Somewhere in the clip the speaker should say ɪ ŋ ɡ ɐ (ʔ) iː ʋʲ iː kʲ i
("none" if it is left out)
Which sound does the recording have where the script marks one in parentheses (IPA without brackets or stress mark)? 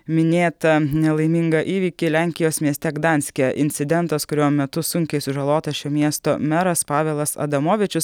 ʔ